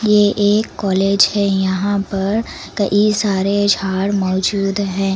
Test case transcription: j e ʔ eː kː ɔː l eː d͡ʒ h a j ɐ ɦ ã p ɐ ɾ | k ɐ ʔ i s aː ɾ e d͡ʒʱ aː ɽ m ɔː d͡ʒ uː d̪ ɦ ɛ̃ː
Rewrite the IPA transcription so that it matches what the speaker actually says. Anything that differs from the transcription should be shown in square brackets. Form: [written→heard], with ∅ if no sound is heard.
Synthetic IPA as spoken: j e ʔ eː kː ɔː l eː d͡ʒ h [a→ɛ] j ɐ ɦ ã p ɐ ɾ | k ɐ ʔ i s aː ɾ e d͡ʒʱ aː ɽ m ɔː d͡ʒ uː d̪ ɦ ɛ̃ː